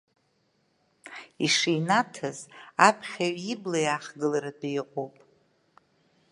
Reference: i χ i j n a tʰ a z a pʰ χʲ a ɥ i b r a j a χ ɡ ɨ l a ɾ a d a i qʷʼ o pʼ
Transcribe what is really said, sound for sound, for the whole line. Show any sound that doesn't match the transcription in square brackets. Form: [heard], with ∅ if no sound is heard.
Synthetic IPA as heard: i [ʂ] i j n a tʰ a z a pʰ χʲ a ɥ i b [l] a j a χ ɡ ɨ l a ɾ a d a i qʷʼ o pʼ

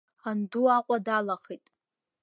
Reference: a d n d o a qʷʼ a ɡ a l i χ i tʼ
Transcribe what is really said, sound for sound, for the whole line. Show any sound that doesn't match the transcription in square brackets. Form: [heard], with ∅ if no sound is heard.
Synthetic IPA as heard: a [∅] n d [u] a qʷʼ a [d] a l [a] χ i tʼ

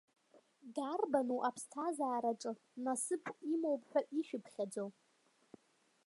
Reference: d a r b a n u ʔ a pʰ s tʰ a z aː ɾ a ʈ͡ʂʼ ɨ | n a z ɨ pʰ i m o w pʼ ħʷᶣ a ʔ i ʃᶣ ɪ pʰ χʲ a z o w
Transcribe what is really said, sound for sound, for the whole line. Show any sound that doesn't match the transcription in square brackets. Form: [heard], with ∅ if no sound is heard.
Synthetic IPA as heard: d a r b a n u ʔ a pʰ s tʰ a z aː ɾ a ʈ͡ʂʼ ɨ | n a [s] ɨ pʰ i m o w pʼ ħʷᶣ a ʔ i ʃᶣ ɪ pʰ χʲ a [d͡z] o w

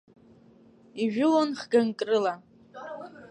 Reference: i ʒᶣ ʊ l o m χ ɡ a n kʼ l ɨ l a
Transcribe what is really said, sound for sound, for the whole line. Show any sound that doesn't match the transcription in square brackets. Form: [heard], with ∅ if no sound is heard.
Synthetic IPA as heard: i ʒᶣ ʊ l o [n] χ ɡ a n kʼ [r] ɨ l a

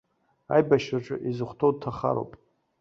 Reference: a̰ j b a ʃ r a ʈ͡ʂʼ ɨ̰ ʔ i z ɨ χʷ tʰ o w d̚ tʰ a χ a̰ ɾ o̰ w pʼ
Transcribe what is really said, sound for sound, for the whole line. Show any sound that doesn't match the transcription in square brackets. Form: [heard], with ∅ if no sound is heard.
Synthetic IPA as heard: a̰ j b a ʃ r a ʈ͡ʂʼ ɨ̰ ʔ i z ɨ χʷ tʰ o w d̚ tʰ a χ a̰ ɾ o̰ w pʼ

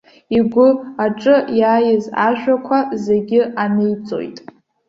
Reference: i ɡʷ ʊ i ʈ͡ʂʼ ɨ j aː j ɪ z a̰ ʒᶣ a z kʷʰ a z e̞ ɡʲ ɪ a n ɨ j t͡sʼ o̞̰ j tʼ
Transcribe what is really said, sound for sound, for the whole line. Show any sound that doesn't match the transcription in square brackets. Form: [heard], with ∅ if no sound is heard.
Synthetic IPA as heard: i ɡʷ ʊ [a] ʈ͡ʂʼ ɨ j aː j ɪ z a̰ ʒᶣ a [∅] kʷʰ a z e̞ ɡʲ ɪ a n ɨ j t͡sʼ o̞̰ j tʼ

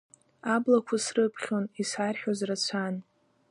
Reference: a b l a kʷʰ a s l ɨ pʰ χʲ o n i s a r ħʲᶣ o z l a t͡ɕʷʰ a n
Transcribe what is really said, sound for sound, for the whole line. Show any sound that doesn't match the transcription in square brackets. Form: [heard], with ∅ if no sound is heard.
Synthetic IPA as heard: a b l a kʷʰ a s [r] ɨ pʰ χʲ o n i s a r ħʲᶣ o z [r] a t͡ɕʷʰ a n

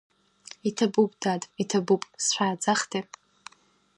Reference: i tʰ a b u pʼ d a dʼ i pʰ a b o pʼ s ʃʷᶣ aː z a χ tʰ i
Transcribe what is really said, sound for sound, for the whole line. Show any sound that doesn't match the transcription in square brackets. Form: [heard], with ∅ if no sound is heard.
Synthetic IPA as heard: i tʰ a b u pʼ d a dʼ i [tʰ] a b [u] pʼ s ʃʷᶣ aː [d͡z] a χ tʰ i

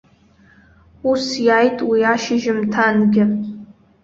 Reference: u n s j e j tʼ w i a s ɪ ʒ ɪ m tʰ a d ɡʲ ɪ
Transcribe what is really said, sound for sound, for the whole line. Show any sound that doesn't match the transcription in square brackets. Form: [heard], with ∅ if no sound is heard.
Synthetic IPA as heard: u [∅] s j [a] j tʼ w i a [ʃ] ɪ ʒ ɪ m tʰ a [n] ɡʲ ɪ

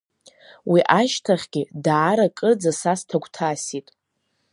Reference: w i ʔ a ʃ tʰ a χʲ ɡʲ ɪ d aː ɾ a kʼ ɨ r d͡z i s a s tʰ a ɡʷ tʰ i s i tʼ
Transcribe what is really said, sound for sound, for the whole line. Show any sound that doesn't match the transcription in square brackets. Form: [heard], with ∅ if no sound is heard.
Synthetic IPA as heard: w i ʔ a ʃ tʰ a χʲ ɡʲ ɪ d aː ɾ a kʼ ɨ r d͡z [a] s a s tʰ a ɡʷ tʰ [a] s i tʼ

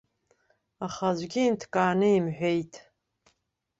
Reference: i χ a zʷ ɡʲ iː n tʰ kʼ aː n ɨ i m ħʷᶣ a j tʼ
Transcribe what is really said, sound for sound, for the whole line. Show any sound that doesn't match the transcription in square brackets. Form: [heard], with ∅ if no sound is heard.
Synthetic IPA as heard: [a] χ a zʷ ɡʲ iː n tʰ kʼ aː n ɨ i m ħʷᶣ [e] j tʼ

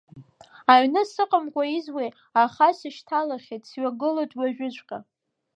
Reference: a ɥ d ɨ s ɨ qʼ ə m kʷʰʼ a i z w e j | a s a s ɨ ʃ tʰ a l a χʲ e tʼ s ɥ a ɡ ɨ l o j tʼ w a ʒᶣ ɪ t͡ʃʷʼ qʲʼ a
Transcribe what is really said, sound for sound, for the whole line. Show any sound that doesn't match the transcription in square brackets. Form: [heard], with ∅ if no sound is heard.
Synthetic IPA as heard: a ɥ [n] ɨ s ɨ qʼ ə m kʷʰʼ a i z w e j | a [χ] a s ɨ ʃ tʰ a l a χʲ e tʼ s ɥ a ɡ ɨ l o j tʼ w a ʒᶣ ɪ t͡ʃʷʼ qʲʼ a

